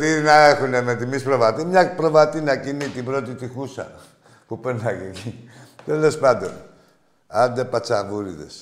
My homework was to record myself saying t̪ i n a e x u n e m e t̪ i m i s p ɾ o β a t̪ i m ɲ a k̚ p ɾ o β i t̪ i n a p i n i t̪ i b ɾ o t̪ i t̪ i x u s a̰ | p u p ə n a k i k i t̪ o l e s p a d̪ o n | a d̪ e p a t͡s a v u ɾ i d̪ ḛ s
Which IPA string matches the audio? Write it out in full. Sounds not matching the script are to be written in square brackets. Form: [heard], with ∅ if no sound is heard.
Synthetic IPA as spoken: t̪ i n a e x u n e m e t̪ i m i s p ɾ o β a t̪ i m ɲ a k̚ p ɾ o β [a] t̪ i n a [k] i n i t̪ i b ɾ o t̪ i t̪ i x u s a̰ | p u p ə n a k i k i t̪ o l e s p a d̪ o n | a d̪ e p a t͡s a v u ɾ i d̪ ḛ s